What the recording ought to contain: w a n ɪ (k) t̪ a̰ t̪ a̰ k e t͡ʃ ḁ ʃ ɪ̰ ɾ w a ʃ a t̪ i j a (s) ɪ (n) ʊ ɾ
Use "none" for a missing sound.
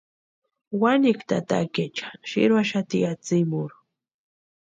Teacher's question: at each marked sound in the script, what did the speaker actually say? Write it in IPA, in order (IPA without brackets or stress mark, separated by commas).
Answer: k, t͡s, m